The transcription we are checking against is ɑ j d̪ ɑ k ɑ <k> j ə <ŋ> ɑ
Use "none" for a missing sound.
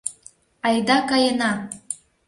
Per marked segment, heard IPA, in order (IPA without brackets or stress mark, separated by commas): none, n